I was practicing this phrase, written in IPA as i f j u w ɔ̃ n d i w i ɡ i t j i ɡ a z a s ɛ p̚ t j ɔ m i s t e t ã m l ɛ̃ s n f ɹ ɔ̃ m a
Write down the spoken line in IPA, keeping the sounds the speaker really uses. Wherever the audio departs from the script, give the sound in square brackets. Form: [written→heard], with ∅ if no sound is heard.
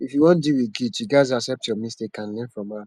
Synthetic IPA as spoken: i f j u w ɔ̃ n d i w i ɡ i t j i ɡ a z a s ɛ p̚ t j ɔ m i s t e [t→k] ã [m→n] l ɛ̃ [s→∅] n f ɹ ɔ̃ m a